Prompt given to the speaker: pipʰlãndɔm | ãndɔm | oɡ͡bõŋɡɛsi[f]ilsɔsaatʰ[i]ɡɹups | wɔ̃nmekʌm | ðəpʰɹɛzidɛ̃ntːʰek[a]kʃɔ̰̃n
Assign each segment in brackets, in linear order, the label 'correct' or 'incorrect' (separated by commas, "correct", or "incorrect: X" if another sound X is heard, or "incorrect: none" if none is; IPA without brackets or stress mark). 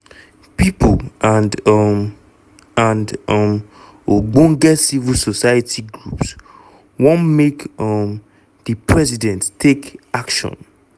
incorrect: v, correct, correct